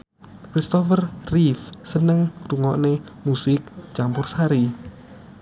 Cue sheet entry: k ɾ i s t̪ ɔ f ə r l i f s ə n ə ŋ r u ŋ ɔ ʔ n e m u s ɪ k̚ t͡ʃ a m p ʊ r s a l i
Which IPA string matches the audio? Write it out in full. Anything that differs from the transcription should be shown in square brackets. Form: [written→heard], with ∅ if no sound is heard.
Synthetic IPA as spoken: k ɾ i s t̪ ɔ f ə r [l→r] i f s ə n ə ŋ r u ŋ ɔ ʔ n e m u s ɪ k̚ t͡ʃ a m p ʊ r s a [l→ɾ] i